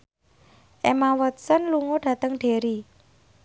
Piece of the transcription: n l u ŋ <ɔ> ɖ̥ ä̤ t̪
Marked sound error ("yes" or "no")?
yes